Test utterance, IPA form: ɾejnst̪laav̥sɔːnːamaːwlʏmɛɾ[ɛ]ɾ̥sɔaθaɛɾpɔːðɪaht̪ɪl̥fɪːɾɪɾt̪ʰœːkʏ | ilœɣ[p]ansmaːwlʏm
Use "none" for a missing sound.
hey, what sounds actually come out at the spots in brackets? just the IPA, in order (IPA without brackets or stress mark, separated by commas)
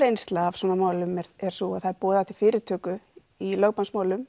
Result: ɛ, p